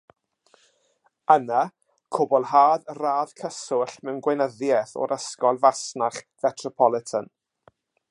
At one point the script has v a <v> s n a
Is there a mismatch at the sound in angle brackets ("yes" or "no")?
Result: yes